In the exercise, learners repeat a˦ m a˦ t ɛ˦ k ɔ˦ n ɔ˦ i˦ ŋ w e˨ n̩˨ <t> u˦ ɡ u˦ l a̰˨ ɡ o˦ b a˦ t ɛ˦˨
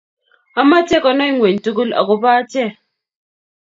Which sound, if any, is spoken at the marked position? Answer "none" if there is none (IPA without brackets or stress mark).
t